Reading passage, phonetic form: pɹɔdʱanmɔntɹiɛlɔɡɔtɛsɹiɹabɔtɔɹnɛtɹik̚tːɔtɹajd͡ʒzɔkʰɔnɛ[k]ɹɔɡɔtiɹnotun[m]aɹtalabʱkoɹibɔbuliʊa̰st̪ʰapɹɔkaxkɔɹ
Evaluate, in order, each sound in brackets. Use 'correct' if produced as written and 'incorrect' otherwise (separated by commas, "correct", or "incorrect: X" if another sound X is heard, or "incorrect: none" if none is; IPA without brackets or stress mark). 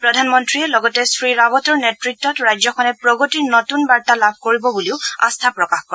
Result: incorrect: p, incorrect: b